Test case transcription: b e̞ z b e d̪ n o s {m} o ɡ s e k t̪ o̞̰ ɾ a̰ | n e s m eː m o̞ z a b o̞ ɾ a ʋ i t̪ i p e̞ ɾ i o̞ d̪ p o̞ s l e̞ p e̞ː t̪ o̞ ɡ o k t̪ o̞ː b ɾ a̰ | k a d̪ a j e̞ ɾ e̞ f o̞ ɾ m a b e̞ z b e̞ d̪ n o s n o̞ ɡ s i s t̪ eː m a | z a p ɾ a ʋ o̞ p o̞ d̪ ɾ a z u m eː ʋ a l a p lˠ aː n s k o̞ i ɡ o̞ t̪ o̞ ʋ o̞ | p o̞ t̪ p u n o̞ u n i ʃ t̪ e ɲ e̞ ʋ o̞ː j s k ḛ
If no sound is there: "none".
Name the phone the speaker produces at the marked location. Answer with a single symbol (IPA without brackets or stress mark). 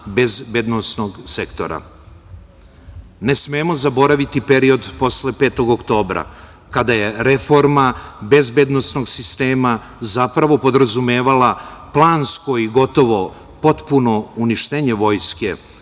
n